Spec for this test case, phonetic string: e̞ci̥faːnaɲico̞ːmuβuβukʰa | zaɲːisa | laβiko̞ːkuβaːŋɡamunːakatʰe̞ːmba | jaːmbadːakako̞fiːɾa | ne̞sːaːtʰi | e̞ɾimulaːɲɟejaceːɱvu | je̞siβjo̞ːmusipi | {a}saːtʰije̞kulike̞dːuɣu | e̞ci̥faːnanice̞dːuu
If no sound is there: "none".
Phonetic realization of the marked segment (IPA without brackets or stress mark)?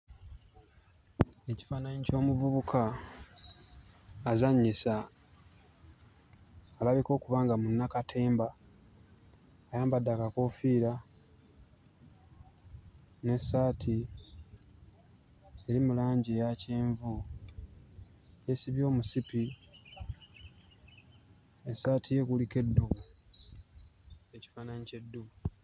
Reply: e